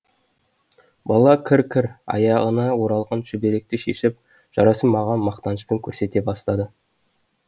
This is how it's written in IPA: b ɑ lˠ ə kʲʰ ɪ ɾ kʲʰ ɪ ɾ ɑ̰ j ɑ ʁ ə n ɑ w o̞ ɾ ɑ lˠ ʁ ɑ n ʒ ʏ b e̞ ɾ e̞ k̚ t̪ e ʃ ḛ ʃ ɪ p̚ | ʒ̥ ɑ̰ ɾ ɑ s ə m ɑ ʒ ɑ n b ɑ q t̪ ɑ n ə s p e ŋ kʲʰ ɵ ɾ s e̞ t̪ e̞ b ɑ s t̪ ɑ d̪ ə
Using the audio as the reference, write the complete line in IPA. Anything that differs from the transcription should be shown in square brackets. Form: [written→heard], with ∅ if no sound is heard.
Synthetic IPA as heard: b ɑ lˠ [ə→ɑ] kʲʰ ɪ ɾ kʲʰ ɪ ɾ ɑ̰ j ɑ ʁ ə n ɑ w o̞ ɾ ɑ lˠ ʁ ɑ n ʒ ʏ b e̞ ɾ e̞ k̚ t̪ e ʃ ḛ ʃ ɪ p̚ | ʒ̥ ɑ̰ ɾ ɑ s ə m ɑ [ʒ→ʁ] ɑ n [b→m] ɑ q t̪ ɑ n ə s p e ŋ kʲʰ ɵ ɾ s e̞ t̪ e̞ b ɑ s t̪ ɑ d̪ ə